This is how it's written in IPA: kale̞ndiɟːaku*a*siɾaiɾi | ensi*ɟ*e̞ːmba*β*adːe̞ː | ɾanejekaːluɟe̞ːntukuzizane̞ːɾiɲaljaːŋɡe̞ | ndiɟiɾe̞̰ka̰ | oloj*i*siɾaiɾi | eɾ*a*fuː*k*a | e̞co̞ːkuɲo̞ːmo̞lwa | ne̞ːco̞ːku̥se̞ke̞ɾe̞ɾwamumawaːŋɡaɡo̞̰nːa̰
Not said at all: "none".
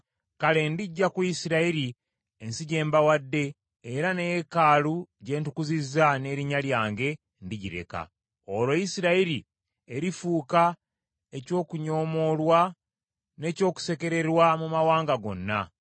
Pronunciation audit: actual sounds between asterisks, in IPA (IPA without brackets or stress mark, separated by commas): i, ɟ, w, i, i, k